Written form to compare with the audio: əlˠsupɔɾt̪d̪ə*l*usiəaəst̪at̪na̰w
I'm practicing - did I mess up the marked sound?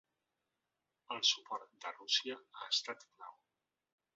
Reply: yes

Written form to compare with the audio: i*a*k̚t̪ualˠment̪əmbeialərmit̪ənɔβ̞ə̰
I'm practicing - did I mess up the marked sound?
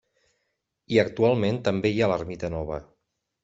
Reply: yes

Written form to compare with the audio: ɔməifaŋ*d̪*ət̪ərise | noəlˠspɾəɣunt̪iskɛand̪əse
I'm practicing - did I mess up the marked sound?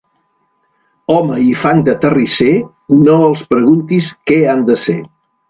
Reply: no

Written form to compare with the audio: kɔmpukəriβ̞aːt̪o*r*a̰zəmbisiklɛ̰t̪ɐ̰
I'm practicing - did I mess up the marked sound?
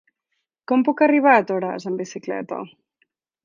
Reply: yes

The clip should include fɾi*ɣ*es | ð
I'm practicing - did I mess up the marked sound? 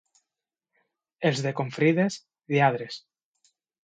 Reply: yes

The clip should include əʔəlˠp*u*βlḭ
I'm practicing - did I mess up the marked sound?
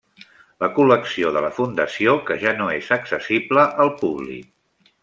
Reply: no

